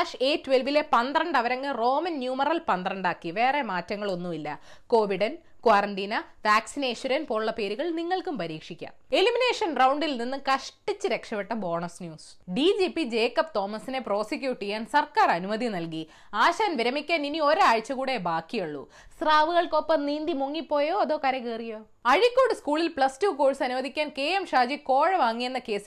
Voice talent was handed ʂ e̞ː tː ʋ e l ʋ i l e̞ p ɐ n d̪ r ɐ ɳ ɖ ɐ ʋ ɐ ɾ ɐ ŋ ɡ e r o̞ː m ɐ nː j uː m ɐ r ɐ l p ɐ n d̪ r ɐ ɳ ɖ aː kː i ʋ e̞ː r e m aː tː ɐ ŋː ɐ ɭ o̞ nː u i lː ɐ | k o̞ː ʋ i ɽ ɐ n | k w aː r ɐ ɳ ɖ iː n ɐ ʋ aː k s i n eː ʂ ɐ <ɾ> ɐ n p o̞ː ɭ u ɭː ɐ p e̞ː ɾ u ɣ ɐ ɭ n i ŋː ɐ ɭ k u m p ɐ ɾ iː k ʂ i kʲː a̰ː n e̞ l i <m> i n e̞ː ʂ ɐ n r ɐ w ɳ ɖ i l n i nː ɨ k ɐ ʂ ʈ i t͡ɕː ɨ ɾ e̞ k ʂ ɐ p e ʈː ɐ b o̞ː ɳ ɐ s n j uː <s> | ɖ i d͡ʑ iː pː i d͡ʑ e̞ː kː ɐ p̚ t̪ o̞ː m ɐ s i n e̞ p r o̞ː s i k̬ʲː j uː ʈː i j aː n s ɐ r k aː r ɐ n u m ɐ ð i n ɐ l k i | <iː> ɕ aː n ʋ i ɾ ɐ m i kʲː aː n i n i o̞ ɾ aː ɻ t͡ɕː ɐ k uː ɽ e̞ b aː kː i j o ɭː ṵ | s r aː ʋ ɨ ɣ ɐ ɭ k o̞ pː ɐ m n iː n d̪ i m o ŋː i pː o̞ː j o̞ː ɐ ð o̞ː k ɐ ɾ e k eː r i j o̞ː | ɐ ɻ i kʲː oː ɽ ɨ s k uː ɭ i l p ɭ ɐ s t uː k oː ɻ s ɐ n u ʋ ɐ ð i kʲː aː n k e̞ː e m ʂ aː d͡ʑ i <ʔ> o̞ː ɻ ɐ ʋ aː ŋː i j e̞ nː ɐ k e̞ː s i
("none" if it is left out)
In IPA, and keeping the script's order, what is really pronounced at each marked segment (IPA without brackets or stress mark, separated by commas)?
ɾ, m, s, aː, k